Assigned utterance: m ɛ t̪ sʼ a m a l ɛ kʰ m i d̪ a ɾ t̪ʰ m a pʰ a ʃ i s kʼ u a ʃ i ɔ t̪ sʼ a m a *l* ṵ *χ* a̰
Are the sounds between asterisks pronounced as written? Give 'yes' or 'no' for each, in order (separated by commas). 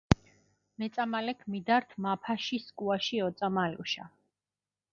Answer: yes, no